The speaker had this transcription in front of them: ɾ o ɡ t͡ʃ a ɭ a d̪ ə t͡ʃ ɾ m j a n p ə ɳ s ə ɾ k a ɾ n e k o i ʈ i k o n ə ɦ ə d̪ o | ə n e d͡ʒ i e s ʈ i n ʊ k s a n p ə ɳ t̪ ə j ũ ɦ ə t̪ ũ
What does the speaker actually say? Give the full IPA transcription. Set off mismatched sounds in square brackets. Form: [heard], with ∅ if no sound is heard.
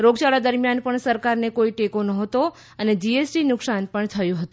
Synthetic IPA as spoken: ɾ o ɡ t͡ʃ a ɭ a d̪ ə [∅] ɾ m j a n p ə ɳ s ə ɾ k a ɾ n e k o i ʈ [e] k o n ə ɦ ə [t̪] o | ə n e d͡ʒ i e s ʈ i n ʊ k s a n p ə ɳ [t̪ʰ] ə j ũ ɦ ə t̪ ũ